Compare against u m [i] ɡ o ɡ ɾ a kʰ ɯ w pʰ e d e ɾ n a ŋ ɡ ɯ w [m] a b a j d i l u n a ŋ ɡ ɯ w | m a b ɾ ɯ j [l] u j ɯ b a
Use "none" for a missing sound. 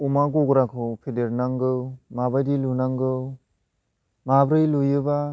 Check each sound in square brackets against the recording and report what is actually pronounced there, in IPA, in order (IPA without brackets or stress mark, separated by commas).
a, m, l